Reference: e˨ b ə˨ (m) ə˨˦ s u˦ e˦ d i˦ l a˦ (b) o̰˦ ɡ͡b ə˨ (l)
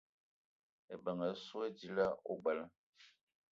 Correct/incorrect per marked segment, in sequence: incorrect: ŋ, incorrect: none, correct

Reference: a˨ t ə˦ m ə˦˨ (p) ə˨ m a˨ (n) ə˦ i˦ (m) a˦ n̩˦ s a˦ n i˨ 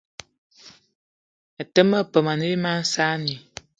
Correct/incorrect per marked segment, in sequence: correct, correct, correct

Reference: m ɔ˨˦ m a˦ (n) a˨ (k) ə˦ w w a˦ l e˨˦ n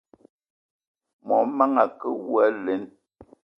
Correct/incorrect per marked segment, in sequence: incorrect: ŋ, correct

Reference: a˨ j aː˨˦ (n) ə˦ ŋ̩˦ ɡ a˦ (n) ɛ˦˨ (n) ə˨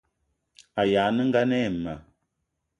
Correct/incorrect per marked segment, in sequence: correct, correct, incorrect: m

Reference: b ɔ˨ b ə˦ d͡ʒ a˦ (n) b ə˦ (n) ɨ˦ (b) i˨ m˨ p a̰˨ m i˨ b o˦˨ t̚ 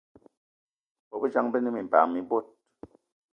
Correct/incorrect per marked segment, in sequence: incorrect: ŋ, correct, incorrect: m

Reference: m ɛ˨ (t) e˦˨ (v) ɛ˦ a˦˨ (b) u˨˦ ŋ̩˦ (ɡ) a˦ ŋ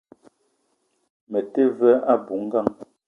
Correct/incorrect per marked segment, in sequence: correct, correct, correct, correct

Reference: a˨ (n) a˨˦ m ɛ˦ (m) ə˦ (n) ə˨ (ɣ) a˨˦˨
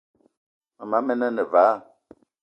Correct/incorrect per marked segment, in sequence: incorrect: m, incorrect: n, correct, incorrect: v

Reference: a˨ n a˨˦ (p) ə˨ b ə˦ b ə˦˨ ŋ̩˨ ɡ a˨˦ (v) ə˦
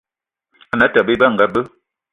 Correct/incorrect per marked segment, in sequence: incorrect: t, incorrect: b

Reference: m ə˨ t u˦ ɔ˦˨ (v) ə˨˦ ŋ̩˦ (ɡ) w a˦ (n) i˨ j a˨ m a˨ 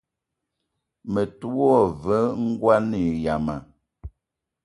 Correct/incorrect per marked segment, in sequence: correct, correct, correct

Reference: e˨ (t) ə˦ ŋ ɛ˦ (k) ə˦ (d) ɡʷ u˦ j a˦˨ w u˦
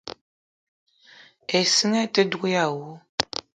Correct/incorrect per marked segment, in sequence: incorrect: s, incorrect: t, correct

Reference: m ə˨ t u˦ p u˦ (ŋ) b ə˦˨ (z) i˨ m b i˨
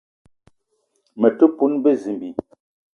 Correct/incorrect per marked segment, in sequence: incorrect: n, correct

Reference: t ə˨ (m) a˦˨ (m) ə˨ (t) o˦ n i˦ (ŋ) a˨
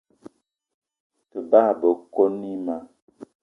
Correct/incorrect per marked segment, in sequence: incorrect: b, incorrect: b, incorrect: k, incorrect: m

